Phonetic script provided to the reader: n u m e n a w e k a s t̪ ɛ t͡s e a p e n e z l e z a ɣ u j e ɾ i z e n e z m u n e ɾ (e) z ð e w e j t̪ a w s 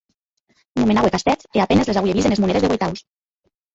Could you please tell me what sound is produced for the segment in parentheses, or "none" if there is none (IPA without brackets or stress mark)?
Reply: e